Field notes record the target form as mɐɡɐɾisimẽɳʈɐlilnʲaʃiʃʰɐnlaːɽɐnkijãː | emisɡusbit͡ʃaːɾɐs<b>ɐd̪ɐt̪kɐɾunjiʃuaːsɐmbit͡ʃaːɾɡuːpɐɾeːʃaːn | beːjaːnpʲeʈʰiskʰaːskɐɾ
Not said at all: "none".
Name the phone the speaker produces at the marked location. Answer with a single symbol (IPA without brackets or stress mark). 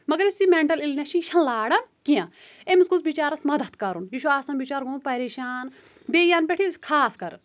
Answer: m